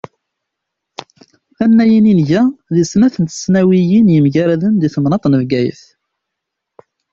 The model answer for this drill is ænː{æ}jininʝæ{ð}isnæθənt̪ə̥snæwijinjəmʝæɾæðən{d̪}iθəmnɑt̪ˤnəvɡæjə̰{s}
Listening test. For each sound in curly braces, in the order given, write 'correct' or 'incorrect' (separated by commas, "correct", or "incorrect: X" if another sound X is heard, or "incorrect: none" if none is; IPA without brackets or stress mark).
correct, correct, correct, incorrect: θ